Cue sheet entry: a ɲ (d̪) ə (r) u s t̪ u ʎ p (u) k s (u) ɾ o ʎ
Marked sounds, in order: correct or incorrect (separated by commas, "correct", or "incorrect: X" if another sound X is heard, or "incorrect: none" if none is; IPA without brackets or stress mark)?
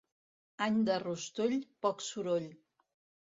correct, correct, incorrect: ɔ, correct